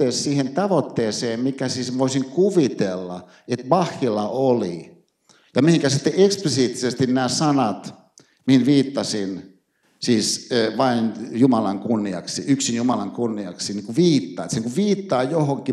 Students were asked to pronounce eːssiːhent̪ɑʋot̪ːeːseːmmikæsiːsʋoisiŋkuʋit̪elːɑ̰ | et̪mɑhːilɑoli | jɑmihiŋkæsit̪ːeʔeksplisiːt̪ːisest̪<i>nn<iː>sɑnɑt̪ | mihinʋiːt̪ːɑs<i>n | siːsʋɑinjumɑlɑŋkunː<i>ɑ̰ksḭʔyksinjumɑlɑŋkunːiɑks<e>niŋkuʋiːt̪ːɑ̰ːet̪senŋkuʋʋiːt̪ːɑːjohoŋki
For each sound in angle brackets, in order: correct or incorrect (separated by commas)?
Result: correct, incorrect, correct, correct, incorrect